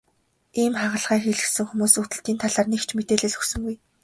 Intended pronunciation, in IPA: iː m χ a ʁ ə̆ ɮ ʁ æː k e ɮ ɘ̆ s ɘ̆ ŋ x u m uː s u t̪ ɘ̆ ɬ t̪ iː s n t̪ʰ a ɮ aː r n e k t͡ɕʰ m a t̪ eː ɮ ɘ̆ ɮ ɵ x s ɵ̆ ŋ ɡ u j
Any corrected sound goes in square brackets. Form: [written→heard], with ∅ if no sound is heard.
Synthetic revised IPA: iː m χ a ʁ ə̆ ɮ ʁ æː [k→x] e ɮ ɘ̆ s ɘ̆ ŋ x u m uː s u t̪ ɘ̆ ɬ t̪ iː [s→∅] n t̪ʰ a ɮ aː r n e k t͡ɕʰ m [a→e] t̪ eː ɮ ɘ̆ ɮ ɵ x s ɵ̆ ŋ ɡ u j